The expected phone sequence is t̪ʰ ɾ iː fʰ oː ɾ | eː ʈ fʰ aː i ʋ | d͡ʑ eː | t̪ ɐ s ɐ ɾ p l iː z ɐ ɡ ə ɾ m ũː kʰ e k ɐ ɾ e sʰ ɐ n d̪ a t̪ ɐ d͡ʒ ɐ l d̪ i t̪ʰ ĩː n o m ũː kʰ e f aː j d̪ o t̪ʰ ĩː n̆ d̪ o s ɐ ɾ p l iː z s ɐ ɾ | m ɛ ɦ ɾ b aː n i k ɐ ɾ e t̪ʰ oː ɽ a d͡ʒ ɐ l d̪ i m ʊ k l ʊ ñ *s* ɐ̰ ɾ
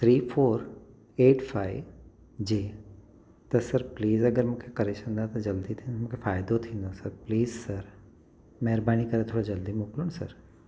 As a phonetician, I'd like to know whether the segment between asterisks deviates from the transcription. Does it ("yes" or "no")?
no